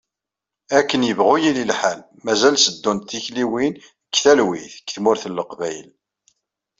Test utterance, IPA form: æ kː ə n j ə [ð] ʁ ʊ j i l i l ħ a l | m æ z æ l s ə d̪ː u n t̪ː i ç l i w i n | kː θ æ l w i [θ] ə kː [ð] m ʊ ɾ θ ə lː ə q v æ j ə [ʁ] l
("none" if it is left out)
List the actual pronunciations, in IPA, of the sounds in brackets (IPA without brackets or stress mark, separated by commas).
v, θ, θ, none